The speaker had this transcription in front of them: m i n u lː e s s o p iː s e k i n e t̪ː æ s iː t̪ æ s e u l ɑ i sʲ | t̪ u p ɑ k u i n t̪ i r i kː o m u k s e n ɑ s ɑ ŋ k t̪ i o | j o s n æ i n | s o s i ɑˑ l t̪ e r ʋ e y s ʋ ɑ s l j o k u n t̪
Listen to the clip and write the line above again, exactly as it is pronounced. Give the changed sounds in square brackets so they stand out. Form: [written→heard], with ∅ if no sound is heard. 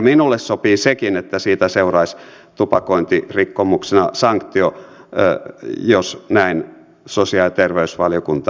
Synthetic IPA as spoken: m i n u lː e s s o p iː s e k i n e t̪ː æ s iː t̪ æ s e u [l→r] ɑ i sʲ | t̪ u p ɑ k [u→o] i n t̪ i r i kː o m u k s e n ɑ s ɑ ŋ k t̪ i o | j o s n æ i n | s o s i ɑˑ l t̪ e r ʋ e y s ʋ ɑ [s→∅] l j o k u n t̪